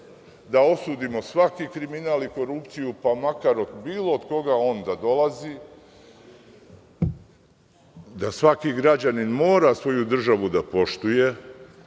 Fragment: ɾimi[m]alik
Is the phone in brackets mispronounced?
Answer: yes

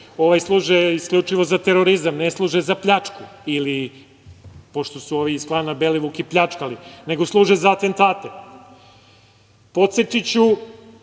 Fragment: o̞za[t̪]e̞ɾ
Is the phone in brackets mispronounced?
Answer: no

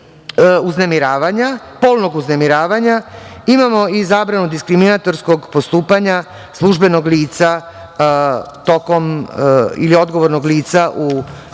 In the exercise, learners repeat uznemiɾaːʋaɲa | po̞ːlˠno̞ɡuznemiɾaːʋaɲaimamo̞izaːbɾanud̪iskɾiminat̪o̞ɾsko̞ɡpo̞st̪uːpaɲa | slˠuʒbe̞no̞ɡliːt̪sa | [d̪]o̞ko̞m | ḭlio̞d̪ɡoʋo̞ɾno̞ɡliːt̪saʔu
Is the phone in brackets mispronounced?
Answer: yes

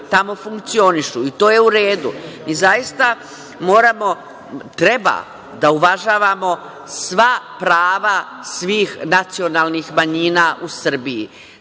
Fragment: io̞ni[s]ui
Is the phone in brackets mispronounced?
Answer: yes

